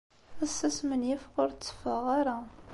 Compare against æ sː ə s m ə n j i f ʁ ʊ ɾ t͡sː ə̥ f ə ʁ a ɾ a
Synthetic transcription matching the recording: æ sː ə s m ə n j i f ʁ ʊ ɾ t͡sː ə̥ f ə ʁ a ɾ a